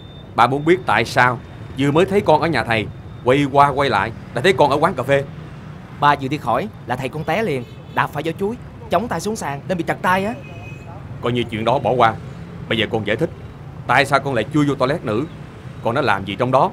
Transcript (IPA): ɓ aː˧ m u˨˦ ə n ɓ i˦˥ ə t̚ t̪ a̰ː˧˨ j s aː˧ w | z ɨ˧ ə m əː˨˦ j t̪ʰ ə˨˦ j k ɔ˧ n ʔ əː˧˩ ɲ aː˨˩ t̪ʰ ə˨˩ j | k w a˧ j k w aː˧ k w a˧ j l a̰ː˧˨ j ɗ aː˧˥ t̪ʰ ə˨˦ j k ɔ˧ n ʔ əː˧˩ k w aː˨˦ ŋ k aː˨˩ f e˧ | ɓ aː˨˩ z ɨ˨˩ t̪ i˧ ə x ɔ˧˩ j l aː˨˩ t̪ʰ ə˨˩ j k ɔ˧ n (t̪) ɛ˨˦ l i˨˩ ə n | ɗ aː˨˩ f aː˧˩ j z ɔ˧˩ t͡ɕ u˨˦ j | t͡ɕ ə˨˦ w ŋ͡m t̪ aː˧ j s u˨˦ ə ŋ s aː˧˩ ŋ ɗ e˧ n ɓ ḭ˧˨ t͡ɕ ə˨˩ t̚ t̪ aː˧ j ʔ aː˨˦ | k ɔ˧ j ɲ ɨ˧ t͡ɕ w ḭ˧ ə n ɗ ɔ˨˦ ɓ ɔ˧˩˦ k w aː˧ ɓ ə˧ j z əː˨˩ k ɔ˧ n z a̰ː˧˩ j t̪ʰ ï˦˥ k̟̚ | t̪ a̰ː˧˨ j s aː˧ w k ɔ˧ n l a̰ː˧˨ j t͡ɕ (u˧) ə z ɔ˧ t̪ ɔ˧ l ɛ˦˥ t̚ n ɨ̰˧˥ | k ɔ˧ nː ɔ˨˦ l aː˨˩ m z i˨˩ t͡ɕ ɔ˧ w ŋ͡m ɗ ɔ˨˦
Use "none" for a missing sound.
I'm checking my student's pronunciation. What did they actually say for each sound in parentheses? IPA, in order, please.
t̪, u˧

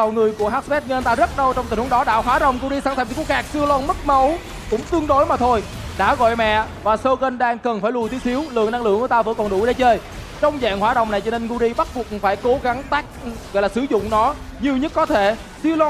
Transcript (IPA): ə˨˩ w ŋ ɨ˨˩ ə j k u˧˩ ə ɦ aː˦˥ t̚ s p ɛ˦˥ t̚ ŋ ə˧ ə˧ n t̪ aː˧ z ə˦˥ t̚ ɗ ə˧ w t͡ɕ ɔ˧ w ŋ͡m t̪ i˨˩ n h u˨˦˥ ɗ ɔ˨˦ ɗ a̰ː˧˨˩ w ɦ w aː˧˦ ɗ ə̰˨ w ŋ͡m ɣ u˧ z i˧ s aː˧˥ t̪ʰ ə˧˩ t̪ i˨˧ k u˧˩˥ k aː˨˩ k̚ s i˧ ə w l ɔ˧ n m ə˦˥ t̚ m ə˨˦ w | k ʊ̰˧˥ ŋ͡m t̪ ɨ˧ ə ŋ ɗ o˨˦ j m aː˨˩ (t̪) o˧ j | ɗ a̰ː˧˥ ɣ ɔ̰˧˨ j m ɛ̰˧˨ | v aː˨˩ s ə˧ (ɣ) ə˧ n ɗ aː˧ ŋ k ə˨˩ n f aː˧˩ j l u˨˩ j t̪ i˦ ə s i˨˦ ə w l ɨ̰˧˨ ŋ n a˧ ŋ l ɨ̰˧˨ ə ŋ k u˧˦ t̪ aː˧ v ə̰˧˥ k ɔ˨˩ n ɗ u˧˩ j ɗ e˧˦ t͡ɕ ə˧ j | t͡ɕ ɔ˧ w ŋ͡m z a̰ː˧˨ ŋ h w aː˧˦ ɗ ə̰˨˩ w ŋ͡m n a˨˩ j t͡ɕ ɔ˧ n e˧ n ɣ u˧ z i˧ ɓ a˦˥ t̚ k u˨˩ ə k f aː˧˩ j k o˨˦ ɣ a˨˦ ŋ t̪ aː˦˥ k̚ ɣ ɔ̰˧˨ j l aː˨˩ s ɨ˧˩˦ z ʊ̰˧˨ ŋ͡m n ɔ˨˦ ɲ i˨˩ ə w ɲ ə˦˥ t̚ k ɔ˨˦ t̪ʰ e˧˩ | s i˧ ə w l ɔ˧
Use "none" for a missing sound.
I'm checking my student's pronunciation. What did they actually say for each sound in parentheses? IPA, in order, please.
t̪ʰ, ɣ

